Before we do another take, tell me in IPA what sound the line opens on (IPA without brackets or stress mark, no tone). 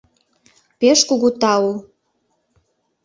p